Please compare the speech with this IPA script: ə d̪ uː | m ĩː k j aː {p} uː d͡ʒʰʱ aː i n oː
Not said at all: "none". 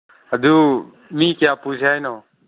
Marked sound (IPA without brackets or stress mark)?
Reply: p